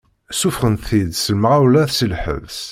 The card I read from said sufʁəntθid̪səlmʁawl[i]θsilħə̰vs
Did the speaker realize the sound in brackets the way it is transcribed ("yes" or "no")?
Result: no